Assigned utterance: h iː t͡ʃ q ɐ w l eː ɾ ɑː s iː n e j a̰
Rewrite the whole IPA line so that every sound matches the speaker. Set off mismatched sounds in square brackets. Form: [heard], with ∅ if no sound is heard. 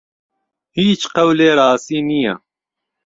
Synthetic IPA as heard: h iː t͡ʃ q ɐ w l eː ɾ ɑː s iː n [i] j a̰